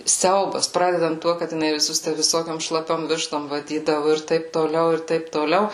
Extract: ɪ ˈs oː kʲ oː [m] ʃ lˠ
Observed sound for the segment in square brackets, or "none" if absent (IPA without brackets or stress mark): m